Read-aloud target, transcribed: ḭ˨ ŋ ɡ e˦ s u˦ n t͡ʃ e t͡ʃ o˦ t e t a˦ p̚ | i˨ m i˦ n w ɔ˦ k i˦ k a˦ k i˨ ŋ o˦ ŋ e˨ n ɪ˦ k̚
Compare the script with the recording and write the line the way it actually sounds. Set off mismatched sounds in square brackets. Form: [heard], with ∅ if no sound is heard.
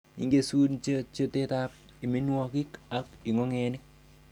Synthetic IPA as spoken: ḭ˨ ŋ ɡ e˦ s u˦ n t͡ʃ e t͡ʃ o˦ t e t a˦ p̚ | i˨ m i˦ n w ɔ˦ k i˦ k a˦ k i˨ ŋ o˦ ŋ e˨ n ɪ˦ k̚

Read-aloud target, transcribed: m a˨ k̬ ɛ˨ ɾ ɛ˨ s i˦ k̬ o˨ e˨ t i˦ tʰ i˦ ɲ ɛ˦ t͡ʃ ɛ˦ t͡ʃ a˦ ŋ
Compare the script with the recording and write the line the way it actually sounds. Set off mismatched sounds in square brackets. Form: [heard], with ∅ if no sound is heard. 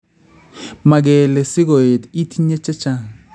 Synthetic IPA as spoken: m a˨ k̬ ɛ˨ [l] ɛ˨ s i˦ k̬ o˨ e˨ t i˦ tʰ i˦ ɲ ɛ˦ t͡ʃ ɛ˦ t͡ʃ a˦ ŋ

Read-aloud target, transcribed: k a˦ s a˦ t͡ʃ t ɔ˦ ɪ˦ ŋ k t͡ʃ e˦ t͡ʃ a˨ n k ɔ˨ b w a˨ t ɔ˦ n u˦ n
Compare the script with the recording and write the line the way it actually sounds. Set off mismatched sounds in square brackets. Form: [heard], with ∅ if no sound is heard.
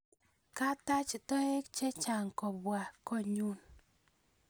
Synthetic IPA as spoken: k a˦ [t] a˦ t͡ʃ t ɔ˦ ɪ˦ [∅] k t͡ʃ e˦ t͡ʃ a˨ [ŋ] k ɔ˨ b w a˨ [k] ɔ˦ [ɲ] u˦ n

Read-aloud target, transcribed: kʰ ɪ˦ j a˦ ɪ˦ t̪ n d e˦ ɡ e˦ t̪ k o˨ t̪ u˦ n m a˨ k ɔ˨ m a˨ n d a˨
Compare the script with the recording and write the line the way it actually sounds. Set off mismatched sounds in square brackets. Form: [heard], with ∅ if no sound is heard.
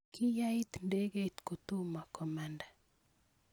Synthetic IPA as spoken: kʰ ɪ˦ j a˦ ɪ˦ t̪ n d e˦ ɡ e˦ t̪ k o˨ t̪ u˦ [∅] m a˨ k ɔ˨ m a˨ n d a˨

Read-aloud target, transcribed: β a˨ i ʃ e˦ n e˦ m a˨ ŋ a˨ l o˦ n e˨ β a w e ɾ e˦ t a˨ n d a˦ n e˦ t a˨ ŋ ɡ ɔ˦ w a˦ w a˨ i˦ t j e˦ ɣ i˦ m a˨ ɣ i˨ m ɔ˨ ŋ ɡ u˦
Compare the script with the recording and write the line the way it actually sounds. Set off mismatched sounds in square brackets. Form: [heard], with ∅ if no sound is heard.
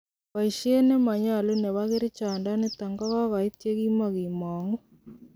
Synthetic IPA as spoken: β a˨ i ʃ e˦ n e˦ m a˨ [ɲ] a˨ l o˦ n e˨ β a [ɣ] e ɾ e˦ [t͡ʃ] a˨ n d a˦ n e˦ t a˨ ŋ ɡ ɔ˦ [ɣ] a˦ [ɣ] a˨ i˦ t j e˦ ɣ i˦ m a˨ ɣ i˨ m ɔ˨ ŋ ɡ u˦

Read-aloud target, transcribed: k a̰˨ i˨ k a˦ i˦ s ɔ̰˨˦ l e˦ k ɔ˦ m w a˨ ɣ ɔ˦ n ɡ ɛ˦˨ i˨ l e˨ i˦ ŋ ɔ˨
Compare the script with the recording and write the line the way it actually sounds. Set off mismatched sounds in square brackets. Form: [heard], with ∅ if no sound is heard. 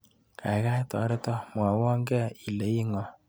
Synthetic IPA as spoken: k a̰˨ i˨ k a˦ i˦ [t] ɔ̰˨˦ [ɾ] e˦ [t] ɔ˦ m w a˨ [w] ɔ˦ [ŋ] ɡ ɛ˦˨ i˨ l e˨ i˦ ŋ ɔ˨

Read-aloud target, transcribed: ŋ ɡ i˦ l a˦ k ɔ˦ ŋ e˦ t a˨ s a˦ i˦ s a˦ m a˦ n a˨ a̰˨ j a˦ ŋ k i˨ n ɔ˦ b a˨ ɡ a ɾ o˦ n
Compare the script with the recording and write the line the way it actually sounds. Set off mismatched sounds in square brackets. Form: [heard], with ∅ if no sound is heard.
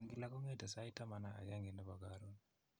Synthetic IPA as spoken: ŋ ɡ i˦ l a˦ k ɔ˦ ŋ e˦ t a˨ s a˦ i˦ [t] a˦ m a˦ n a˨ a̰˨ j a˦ ŋ [ɡ] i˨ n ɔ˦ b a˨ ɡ a ɾ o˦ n

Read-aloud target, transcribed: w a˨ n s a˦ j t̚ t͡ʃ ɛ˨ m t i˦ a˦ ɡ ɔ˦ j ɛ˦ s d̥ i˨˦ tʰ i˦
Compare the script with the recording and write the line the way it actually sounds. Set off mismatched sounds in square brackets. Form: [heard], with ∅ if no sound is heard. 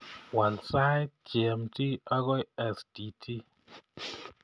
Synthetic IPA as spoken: w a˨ n s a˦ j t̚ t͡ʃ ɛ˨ m t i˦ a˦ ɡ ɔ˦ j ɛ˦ s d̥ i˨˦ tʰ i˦

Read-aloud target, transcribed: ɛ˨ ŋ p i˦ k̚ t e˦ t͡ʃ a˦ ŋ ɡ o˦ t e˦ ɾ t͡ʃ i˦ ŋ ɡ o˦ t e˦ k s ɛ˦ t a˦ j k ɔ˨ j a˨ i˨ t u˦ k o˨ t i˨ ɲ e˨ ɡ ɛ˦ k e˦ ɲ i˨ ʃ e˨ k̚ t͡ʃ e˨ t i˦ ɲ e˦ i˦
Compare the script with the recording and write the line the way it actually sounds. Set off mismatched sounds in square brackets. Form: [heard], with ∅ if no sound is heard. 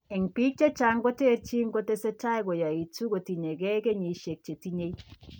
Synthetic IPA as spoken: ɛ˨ ŋ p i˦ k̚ [t͡ʃ] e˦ t͡ʃ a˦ ŋ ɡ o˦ t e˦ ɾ t͡ʃ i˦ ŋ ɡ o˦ t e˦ [∅] s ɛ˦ t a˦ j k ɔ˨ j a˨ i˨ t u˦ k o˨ t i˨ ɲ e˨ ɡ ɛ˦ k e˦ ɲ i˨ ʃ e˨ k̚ t͡ʃ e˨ t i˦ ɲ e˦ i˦

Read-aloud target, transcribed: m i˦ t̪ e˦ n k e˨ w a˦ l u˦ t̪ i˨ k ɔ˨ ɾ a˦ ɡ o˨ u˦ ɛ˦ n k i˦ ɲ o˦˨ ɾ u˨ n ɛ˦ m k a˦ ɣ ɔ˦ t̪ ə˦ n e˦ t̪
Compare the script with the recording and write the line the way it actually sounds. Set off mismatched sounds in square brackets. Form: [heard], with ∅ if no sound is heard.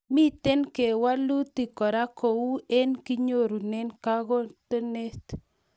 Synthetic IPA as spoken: m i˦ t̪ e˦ n k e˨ w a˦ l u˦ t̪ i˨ k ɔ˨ ɾ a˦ [k] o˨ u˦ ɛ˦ n k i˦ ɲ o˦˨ ɾ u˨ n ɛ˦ [n] k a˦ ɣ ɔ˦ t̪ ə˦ n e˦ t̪

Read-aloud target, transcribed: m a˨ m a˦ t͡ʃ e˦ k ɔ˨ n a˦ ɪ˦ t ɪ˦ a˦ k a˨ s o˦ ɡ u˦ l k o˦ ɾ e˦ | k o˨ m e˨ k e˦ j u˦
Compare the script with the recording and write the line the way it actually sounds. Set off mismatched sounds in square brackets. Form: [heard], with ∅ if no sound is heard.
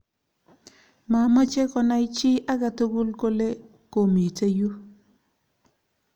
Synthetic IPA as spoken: m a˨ m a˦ t͡ʃ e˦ k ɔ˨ n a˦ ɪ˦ [t͡ʃ] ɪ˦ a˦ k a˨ [t] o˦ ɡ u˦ l k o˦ [l] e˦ | k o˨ m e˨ [t] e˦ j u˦

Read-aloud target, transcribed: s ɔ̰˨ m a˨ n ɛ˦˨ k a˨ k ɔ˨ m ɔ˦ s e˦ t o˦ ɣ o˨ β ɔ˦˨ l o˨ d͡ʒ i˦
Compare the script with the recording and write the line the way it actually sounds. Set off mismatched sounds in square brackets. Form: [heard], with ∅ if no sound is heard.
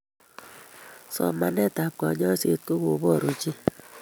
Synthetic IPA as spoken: s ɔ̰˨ m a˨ n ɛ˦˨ [t] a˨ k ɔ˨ [ɲ] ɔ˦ s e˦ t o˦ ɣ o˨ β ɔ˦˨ [ɾ] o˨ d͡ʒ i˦

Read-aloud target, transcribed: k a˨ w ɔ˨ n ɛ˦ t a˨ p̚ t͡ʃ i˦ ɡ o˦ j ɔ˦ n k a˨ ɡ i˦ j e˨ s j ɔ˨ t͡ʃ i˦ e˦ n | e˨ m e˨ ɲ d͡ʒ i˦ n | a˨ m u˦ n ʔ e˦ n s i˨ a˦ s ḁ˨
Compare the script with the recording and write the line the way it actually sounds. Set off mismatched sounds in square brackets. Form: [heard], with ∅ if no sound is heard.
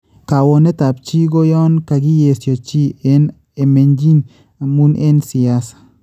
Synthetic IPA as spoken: k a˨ w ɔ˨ n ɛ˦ t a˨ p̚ t͡ʃ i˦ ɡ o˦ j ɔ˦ n k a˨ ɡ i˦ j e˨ s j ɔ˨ t͡ʃ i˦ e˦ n | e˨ m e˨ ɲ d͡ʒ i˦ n | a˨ m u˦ n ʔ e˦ n s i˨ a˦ s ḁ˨

